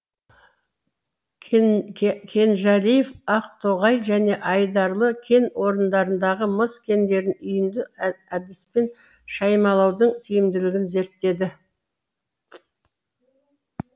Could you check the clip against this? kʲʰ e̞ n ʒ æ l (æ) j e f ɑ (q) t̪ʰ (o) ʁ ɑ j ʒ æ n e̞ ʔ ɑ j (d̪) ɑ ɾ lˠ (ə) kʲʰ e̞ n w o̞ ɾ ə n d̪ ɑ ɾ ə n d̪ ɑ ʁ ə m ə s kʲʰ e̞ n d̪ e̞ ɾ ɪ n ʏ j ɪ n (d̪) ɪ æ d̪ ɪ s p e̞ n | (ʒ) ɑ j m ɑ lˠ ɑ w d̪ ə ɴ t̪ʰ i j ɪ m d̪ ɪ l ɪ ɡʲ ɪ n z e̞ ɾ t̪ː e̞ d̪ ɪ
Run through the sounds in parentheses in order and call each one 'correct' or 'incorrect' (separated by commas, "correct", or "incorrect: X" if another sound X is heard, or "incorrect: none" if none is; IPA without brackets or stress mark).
incorrect: i, correct, correct, correct, correct, correct, incorrect: ʃ